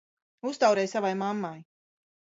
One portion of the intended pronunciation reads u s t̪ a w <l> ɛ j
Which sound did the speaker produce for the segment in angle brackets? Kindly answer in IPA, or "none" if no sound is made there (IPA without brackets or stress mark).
ɾ